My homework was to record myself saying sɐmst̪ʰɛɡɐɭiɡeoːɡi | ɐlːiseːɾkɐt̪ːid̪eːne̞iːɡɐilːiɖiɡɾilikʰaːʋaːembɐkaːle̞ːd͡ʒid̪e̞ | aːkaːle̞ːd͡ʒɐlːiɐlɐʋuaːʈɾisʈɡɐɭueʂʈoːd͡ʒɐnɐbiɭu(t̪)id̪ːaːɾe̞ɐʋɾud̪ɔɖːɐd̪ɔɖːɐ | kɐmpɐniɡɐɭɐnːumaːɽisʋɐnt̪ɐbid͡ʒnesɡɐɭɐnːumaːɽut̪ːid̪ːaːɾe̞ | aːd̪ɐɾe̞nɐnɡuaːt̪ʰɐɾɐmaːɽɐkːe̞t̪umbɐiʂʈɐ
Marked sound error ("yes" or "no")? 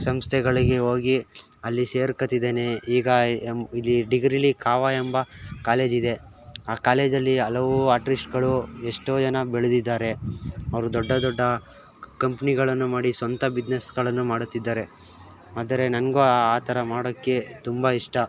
yes